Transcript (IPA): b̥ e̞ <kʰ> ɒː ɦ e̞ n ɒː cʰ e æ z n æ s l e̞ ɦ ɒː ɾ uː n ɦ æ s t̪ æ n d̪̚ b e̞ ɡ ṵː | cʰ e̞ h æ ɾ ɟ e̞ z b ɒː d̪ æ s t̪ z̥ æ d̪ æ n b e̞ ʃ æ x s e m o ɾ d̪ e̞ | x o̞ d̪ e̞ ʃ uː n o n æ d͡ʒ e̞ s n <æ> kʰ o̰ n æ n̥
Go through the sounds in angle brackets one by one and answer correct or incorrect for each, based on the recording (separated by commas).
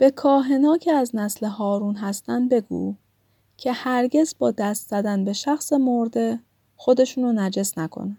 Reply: correct, correct